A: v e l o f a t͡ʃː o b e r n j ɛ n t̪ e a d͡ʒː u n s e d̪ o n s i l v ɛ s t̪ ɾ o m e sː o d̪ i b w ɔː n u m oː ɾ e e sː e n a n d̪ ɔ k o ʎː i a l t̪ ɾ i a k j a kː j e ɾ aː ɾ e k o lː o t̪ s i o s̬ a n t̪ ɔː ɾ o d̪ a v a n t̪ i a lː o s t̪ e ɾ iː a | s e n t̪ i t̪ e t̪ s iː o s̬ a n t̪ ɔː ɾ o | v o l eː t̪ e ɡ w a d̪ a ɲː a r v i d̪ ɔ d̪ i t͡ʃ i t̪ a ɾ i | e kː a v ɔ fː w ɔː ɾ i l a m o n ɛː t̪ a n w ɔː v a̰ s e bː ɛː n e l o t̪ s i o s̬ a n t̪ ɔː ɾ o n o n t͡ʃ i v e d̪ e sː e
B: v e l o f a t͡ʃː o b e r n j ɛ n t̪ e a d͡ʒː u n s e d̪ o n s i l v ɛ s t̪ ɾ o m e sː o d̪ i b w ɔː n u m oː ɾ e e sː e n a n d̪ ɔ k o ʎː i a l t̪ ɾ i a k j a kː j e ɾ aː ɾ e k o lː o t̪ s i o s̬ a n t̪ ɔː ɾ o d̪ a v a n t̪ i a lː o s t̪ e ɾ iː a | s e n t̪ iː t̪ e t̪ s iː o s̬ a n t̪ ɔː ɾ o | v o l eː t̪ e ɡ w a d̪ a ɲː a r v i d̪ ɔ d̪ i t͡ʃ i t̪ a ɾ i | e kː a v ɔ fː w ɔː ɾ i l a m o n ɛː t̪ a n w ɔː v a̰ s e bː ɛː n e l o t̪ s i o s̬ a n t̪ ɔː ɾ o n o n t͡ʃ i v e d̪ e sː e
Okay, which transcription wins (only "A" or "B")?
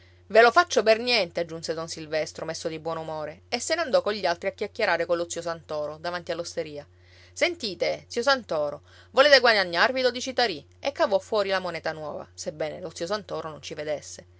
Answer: B